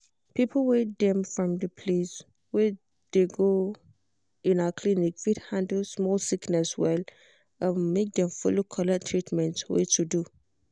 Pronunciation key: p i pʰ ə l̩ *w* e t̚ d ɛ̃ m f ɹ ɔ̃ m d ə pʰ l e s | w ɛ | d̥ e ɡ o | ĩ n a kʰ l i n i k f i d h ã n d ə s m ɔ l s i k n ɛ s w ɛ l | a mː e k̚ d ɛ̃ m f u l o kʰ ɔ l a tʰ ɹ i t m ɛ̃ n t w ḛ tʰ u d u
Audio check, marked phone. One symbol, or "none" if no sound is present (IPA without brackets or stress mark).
w